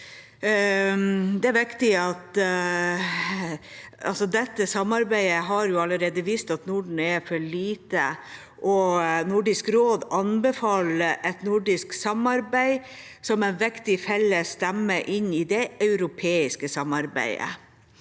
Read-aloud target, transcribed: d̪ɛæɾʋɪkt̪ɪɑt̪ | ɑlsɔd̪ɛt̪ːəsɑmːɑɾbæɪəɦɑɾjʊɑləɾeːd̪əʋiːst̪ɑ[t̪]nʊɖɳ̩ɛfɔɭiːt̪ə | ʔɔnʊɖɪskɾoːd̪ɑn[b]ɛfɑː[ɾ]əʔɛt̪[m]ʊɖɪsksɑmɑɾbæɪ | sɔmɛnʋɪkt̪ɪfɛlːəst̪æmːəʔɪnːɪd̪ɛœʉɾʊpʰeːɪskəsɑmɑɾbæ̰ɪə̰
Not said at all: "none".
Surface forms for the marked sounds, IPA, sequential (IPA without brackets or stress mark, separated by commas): t̪, b, l, n